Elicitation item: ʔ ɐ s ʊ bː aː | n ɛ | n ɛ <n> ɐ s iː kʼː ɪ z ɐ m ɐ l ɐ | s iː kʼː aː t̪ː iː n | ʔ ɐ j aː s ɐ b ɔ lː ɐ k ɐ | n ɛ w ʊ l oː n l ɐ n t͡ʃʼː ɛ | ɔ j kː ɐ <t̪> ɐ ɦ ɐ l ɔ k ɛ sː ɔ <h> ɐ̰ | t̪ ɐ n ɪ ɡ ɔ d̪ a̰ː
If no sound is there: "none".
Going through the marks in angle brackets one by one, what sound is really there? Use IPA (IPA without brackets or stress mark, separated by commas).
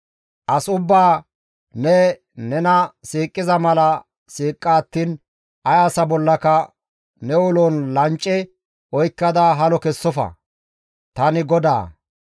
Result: n, d̪, f